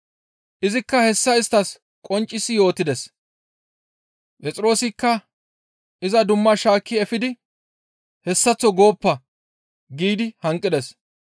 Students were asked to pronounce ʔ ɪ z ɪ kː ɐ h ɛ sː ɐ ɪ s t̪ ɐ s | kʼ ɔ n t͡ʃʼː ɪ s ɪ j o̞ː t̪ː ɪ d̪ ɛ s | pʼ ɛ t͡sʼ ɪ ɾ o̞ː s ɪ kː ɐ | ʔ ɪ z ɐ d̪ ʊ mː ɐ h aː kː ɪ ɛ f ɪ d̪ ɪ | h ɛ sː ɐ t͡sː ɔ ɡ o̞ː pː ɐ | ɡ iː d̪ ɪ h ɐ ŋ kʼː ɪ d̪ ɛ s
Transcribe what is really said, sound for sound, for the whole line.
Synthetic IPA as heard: ʔ ɪ z ɪ kː ɐ h ɛ sː ɐ ɪ s t̪ ɐ s | kʼ ɔ n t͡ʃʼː ɪ s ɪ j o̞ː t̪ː ɪ d̪ ɛ s | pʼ ɛ t͡sʼ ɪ ɾ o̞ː s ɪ kː ɐ | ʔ ɪ z ɐ d̪ ʊ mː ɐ ʃ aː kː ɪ ɛ f ɪ d̪ ɪ | h ɛ sː ɐ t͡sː ɔ ɡ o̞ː pː ɐ | ɡ iː d̪ ɪ h ɐ ŋ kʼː ɪ d̪ ɛ s

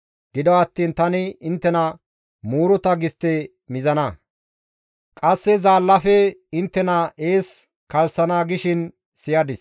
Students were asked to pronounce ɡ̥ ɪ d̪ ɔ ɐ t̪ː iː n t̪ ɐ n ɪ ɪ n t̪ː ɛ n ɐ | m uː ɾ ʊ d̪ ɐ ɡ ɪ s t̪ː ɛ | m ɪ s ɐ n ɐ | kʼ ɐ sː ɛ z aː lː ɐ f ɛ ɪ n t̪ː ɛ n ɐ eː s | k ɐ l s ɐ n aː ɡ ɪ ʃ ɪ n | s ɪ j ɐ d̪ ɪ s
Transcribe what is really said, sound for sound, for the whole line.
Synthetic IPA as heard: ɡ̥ ɪ d̪ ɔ ɐ t̪ː iː n t̪ ɐ n ɪ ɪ n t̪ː ɛ n ɐ | m uː ɾ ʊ t̪ ɐ ɡ ɪ s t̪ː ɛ | m ɪ z ɐ n ɐ | kʼ ɐ sː ɛ z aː lː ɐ f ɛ ɪ n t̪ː ɛ n ɐ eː s | k ɐ l s ɐ n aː ɡ ɪ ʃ ɪ n | s ɪ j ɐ d̪ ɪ s

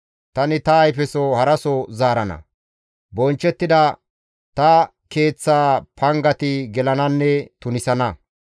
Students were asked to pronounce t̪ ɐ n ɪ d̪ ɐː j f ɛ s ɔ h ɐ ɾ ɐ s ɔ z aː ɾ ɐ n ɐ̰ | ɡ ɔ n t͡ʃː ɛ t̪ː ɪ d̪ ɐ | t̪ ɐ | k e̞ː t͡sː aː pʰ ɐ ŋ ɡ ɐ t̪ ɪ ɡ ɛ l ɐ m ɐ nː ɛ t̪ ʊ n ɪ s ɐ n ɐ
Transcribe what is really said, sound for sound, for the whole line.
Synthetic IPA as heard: t̪ ɐ n ɪ t̪ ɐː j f ɛ s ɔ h ɐ ɾ ɐ s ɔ z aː ɾ ɐ n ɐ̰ | b ɔ n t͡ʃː ɛ t̪ː ɪ d̪ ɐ | t̪ ɐ | k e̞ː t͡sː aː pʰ ɐ ŋ ɡ ɐ t̪ ɪ ɡ ɛ l ɐ n ɐ nː ɛ t̪ ʊ n ɪ s ɐ n ɐ

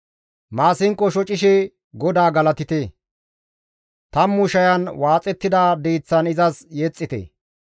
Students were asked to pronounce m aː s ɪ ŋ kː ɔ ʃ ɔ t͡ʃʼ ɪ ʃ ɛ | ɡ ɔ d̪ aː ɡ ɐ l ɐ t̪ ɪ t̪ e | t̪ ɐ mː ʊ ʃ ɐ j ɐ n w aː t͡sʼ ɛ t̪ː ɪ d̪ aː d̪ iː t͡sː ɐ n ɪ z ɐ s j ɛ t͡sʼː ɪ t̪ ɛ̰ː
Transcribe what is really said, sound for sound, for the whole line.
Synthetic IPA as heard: m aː s ɪ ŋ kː ɔ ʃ ɔ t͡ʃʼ ɪ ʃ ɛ | ɡ ɔ d̪ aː ɡ ɐ l ɐ t̪ ɪ t̪ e | t̪ ɐ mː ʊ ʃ ɐ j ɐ n w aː t͡sʼ ɛ t̪ː ɪ d̪ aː d̪ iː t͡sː ɐ n ɪ z ɐ s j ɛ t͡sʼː ɪ t̪ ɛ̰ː

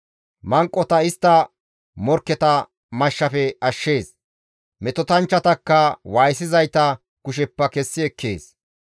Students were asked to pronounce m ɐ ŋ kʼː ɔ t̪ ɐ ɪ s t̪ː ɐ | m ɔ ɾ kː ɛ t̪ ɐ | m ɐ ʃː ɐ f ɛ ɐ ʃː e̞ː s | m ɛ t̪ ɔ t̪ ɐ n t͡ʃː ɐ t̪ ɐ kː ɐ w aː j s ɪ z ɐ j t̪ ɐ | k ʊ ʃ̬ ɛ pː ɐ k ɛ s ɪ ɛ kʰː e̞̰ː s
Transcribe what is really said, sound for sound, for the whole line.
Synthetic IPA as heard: m ɐ ŋ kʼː ɔ t̪ ɐ ɪ s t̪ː ɐ | m ɔ ɾ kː ɛ t̪ ɐ | m ɐ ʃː ɐ f ɛ ɐ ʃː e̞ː s | m ɛ t̪ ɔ t̪ ɐ n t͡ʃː ɐ t̪ ɐ kː ɐ w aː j s ɪ z ɐ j t̪ ɐ | k ʊ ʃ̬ ɛ pː ɐ k ɛ sː ɪ ɛ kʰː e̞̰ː s

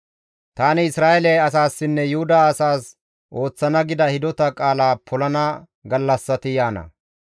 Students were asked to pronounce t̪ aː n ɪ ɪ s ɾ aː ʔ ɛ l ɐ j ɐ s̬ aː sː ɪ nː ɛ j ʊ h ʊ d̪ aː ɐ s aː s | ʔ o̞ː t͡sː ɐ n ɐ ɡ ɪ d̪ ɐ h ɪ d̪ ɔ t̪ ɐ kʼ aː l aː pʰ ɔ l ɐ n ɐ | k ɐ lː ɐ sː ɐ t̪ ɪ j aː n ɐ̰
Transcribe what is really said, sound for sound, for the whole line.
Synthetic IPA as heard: t̪ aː n ɪ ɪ s ɾ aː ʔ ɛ l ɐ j ɐ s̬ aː sː ɪ nː ɛ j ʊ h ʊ d̪ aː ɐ s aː s | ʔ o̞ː t͡sː ɐ n ɐ ɡ ɪ d̪ ɐ h ɪ d̪ ɔ t̪ ɐ kʼ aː l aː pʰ ɔ l ɐ n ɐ | ɡ ɐ lː ɐ sː ɐ t̪ ɪ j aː n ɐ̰

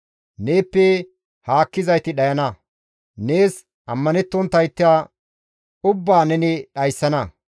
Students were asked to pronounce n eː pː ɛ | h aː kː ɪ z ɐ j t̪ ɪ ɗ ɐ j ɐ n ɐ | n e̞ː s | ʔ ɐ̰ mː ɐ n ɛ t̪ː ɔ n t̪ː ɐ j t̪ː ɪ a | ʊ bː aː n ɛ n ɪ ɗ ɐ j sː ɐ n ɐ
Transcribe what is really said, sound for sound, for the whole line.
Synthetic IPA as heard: n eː pː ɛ | h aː kː ɪ z ɐ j t̪ ɪ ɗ ɐ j ɐ n ɐ | n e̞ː s | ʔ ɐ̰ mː ɐ n ɛ t̪ː ɔ n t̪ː ɐ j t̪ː ɪ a | ʊ bː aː n ɛ n ɪ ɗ ɐ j sː ɐ n ɐ

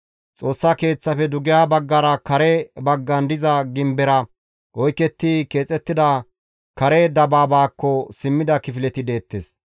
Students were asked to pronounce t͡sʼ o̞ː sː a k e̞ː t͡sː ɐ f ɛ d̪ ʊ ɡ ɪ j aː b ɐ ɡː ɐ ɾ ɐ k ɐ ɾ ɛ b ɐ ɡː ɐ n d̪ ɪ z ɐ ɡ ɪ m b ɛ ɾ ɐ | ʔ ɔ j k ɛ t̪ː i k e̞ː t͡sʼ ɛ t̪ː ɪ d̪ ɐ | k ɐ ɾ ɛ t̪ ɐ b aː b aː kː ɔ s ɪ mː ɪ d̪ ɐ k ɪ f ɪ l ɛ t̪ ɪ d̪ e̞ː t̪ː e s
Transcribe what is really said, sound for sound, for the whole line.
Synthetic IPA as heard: t͡sʼ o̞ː sː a k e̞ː t͡sː ɐ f ɛ d̪ ʊ ɡ ɪ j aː b ɐ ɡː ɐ ɾ ɐ k ɐ ɾ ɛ b ɐ ɡː ɐ n d̪ ɪ z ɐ ɡ ɪ m b ɛ ɾ ɐ | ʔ ɔ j k ɛ t̪ː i k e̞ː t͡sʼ ɛ t̪ː ɪ d̪ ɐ | k ɐ ɾ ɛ d̪ ɐ b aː b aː kː ɔ s ɪ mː ɪ d̪ ɐ k ɪ f ɪ l ɛ t̪ ɪ d̪ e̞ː t̪ː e s

